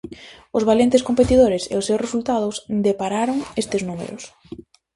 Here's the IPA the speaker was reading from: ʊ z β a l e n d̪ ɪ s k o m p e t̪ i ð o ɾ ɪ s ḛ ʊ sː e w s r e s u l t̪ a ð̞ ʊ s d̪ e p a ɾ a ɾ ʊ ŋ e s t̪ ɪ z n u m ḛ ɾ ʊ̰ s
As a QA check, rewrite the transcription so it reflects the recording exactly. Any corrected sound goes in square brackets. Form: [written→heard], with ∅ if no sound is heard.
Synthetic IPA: ʊ z β a l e n [d̪→t̪] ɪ s k o m p e t̪ i ð o ɾ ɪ s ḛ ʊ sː e w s r e s u l t̪ a ð̞ ʊ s d̪ e p a ɾ a ɾ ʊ ŋ e s t̪ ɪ z n u m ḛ ɾ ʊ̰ s